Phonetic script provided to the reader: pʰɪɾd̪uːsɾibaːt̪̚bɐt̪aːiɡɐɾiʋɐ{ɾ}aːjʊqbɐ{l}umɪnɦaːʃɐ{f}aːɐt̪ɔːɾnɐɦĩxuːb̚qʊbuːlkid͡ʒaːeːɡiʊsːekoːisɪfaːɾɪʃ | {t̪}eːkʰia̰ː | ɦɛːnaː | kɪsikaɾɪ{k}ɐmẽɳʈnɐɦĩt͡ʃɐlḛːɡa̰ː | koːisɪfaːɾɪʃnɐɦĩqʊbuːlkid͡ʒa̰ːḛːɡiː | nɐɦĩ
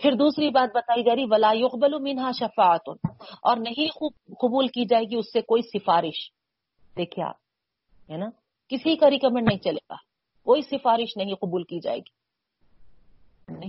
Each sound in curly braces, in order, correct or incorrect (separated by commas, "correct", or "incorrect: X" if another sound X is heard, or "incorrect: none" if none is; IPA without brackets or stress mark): incorrect: l, correct, correct, incorrect: d̪, correct